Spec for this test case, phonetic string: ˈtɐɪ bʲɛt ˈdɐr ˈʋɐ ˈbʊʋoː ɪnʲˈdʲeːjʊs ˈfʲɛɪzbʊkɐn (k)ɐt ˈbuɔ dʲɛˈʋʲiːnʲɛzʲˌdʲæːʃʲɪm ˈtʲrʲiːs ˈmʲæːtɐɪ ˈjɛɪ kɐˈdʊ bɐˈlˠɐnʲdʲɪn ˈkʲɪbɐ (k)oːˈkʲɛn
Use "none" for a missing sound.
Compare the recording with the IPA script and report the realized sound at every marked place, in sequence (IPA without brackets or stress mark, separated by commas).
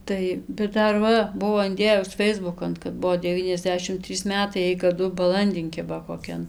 k, k